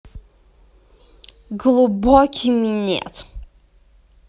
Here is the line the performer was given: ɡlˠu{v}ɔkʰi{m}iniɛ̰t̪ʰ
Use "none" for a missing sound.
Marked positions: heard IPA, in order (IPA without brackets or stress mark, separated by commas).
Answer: b, m